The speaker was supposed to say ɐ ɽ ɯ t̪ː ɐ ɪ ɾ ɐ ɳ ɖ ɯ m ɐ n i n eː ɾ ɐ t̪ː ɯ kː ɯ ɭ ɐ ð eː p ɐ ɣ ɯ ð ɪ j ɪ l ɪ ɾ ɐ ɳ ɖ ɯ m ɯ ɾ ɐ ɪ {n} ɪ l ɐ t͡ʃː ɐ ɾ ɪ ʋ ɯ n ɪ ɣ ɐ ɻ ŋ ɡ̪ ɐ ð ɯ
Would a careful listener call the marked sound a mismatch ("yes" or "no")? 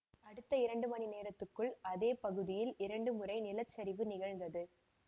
no